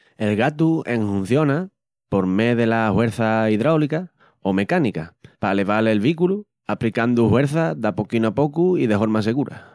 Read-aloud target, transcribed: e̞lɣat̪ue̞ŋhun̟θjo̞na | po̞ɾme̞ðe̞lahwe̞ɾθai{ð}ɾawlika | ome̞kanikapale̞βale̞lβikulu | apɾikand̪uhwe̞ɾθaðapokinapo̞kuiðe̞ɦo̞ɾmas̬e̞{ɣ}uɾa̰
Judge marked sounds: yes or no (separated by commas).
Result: yes, yes